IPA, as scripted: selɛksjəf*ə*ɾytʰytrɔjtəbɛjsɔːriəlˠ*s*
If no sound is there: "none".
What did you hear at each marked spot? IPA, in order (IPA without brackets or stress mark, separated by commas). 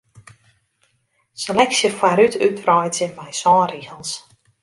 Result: a, s